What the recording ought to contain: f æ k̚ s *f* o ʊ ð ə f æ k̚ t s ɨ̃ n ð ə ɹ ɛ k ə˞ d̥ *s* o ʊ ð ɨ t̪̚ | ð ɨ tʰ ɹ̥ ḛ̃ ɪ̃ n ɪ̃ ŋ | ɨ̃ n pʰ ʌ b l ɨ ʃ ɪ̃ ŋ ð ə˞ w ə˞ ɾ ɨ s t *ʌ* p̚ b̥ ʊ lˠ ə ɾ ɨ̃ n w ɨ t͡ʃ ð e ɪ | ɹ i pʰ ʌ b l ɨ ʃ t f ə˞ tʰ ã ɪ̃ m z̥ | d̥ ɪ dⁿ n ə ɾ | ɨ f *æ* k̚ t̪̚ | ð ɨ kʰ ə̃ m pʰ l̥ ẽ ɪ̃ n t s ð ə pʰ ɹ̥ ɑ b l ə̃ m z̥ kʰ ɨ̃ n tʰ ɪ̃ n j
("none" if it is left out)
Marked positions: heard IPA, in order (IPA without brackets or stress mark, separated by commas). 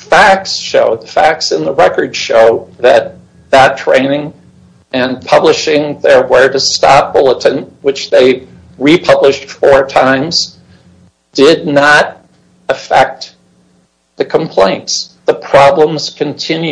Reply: ʃ, ʃ, ɑ, ɛ